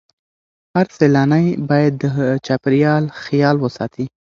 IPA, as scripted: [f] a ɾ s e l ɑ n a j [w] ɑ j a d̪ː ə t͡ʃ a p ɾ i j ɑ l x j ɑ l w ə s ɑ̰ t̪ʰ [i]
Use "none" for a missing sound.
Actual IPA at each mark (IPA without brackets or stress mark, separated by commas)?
h, b, i